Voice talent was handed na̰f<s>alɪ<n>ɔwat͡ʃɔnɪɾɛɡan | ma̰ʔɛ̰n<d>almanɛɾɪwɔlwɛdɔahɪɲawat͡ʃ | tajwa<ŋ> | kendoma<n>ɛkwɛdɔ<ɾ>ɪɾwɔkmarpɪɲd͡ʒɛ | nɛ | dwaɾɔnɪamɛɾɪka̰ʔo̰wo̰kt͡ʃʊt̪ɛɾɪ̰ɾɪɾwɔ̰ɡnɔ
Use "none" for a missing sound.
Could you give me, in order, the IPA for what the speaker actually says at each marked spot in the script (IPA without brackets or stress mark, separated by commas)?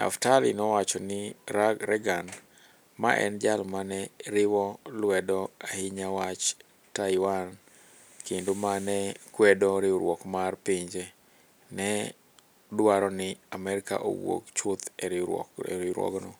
t, n, d͡ʒ, n, n, ɾ